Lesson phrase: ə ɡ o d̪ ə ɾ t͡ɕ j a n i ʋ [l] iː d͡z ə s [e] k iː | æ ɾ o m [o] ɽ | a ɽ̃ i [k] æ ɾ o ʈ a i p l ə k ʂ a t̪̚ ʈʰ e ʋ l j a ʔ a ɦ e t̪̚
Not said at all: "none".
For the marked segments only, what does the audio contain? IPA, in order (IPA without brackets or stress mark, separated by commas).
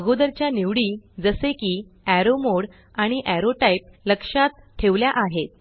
ɽ, e, o, ʔ